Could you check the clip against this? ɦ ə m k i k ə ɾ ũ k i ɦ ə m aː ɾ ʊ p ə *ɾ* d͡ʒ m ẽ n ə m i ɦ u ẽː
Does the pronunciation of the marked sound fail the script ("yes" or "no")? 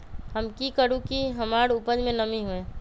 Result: yes